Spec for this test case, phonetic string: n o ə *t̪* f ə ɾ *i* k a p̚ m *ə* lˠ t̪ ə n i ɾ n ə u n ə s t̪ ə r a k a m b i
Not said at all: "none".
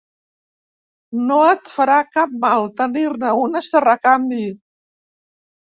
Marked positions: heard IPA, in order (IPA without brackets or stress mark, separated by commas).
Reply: t̪, a, a